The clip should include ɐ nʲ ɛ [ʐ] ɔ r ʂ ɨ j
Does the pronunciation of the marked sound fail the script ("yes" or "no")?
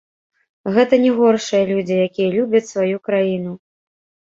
yes